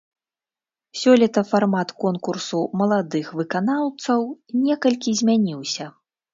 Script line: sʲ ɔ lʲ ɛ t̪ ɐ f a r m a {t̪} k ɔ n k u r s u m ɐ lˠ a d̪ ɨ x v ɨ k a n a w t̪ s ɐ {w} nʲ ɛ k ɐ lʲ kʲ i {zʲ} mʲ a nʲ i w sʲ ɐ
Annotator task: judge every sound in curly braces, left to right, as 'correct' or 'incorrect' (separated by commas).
correct, correct, correct